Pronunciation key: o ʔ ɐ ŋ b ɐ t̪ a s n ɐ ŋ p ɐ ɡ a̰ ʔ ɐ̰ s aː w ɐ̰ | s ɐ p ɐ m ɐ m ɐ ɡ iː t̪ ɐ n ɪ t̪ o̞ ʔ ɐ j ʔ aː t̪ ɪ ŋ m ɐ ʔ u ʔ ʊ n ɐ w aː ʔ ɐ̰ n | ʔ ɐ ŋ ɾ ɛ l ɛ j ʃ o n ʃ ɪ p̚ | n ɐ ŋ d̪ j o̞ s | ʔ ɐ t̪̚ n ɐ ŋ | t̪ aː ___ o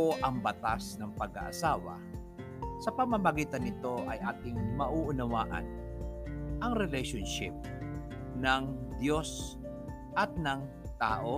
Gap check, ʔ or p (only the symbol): ʔ